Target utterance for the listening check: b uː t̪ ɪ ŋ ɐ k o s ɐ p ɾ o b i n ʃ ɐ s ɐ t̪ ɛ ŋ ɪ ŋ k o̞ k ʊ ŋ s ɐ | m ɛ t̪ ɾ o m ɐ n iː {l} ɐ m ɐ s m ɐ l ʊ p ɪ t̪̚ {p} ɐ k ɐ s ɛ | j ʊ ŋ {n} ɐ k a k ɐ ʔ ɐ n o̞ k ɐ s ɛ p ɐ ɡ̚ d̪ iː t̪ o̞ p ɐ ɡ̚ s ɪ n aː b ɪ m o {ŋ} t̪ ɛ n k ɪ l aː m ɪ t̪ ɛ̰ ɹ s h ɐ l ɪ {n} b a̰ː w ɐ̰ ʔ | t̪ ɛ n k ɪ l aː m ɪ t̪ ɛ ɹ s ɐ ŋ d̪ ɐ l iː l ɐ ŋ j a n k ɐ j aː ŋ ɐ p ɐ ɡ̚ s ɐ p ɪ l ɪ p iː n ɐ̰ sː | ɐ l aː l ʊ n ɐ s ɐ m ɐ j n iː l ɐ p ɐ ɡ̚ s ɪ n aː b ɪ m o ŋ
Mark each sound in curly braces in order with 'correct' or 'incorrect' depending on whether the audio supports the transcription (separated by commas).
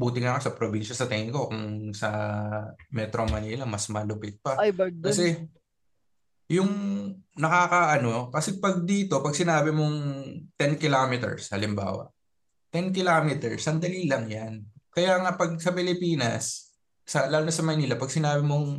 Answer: correct, correct, correct, correct, incorrect